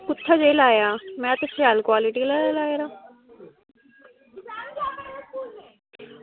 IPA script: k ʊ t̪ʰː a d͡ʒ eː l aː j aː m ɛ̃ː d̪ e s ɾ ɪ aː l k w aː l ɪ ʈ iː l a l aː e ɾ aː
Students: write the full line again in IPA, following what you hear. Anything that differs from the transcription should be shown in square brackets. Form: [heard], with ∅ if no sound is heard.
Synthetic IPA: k ʊ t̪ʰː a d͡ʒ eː l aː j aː m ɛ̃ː [t̪] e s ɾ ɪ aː l k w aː l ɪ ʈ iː l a l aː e ɾ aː